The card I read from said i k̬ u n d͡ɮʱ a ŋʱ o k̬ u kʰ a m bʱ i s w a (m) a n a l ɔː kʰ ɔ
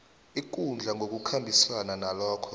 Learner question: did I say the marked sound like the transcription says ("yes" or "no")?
no